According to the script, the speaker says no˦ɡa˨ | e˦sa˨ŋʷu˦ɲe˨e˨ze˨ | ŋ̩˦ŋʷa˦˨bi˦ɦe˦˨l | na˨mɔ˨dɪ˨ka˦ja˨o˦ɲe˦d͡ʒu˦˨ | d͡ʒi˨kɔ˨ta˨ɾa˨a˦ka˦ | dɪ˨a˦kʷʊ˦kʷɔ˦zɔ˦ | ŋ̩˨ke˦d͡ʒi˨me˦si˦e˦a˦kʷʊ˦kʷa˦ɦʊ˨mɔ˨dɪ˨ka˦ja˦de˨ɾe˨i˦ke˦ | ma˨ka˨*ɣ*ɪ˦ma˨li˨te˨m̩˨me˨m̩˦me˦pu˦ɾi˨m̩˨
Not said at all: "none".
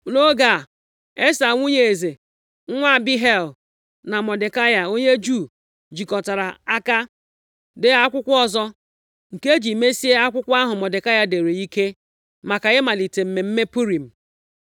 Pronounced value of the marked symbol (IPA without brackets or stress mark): ɣ